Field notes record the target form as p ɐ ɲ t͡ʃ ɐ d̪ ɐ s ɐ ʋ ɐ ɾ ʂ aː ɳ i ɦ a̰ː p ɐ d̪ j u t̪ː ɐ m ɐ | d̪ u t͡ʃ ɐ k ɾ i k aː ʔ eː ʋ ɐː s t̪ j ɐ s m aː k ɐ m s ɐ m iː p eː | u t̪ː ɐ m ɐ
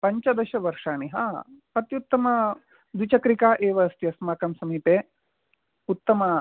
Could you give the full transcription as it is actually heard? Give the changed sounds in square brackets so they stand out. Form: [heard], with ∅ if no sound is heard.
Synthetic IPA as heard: p ɐ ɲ t͡ʃ ɐ d̪ ɐ [ʃ] ɐ ʋ ɐ ɾ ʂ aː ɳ i ɦ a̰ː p ɐ [t̪] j u t̪ː ɐ m ɐ | d̪ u t͡ʃ ɐ k ɾ i k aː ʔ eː ʋ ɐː s t̪ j ɐ s m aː k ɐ m s ɐ m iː p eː | u t̪ː ɐ m ɐ